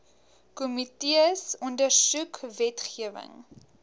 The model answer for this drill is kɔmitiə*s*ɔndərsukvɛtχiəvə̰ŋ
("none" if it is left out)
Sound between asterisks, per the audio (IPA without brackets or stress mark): s